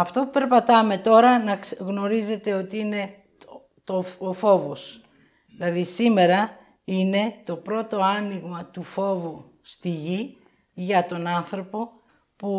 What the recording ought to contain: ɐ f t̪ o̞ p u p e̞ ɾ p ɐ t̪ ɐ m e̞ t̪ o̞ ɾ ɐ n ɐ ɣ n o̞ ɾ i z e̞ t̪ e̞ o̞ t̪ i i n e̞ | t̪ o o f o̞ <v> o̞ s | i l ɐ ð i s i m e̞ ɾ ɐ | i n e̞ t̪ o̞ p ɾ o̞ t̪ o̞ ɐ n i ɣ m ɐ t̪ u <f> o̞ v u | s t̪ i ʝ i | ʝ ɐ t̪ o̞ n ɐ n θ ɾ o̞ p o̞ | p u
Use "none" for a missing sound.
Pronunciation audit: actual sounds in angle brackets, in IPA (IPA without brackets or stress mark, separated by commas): v, f